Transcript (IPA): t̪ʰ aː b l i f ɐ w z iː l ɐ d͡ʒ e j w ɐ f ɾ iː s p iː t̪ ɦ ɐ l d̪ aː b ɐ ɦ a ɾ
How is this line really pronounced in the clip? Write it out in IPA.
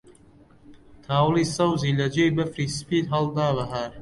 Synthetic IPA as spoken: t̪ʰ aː w l i s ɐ w z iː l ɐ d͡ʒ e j b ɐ f ɾ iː s p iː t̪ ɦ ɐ l d̪ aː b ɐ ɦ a ɾ